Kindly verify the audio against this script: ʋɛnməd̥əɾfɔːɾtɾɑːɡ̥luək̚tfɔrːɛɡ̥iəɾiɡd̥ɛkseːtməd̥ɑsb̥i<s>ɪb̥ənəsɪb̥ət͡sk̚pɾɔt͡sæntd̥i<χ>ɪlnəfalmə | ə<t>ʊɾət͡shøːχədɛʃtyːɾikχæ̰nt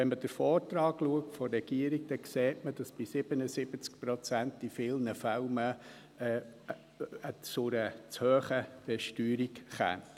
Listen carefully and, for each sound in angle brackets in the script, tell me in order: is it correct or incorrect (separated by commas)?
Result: correct, incorrect, incorrect